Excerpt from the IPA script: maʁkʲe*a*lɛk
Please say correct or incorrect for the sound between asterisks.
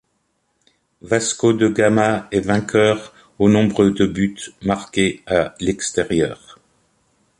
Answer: correct